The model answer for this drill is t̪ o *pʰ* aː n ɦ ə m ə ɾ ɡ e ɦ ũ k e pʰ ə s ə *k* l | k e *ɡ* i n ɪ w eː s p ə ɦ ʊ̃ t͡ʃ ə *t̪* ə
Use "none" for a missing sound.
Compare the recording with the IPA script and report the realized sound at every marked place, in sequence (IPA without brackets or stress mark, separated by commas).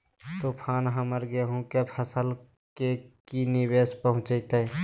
pʰ, none, k, t̪